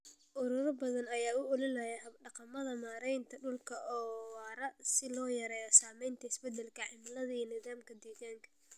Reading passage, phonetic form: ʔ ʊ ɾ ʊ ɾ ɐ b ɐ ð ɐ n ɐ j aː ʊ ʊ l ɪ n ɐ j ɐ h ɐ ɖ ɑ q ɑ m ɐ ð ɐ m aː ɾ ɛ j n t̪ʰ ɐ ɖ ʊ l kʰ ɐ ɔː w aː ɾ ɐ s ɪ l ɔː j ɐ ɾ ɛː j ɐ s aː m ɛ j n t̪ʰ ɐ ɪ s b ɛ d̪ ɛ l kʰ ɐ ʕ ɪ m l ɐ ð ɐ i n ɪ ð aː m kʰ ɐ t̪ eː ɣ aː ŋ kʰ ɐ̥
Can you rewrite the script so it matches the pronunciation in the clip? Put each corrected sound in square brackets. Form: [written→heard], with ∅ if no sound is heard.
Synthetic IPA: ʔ ʊ ɾ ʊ ɾ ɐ b ɐ ð ɐ n ɐ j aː ʊ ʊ l ɪ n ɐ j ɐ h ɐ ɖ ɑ q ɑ m ɐ ð ɐ m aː ɾ ɛ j n t̪ʰ ɐ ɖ ʊ l kʰ ɐ ɔː w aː ɾ ɐ s ɪ l ɔː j ɐ ɾ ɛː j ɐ s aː m ɛ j n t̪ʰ ɐ ɪ s b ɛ d̪ ɛ l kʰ ɐ ʕ ɪ m l ɐ ð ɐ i n ɪ ð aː m kʰ ɐ [t̪→d̪] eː ɣ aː ŋ kʰ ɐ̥